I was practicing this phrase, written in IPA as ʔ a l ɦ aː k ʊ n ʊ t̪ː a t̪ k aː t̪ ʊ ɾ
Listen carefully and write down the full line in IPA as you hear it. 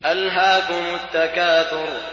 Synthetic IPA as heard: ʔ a l ɦ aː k ʊ m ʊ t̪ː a k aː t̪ ʊ ɾ